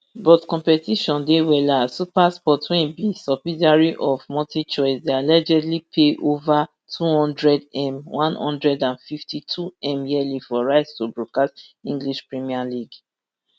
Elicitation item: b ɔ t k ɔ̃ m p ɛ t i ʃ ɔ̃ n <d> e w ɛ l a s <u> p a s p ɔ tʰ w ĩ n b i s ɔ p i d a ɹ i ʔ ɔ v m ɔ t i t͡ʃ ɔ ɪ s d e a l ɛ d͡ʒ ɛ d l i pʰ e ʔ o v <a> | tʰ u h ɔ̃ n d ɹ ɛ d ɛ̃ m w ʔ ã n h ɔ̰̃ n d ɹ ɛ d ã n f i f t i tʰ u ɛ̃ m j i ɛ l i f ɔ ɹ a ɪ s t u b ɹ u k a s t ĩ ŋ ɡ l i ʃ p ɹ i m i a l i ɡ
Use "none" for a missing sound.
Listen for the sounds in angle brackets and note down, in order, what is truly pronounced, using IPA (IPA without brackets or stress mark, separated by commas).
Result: d, u, a